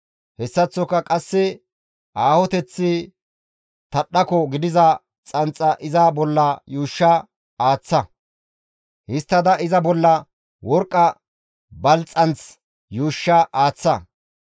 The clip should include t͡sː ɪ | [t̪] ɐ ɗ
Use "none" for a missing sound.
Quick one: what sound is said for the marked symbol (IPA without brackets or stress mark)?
t̪